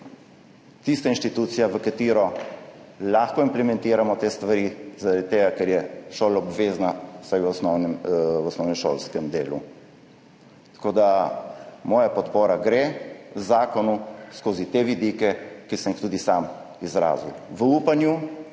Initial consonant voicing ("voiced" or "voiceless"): voiceless